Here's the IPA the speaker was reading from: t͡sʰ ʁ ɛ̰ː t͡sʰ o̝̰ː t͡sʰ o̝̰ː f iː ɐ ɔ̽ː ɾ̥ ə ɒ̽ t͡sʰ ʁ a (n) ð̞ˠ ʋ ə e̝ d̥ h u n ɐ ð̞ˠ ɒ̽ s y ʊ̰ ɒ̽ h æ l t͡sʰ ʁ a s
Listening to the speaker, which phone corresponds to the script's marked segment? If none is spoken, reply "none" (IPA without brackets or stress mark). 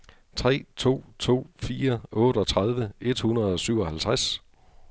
none